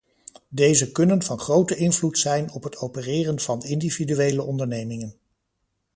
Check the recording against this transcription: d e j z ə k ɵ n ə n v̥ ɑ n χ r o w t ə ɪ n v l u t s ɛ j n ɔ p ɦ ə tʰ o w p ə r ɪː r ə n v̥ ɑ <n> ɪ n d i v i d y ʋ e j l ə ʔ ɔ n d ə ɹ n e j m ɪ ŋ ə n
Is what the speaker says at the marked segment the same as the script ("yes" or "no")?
yes